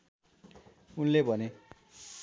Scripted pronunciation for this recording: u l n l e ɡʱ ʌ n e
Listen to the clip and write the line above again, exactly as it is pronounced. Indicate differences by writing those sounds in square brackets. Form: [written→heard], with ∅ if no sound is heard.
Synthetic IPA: u [l→∅] n l e [ɡʱ→bʱ] ʌ n e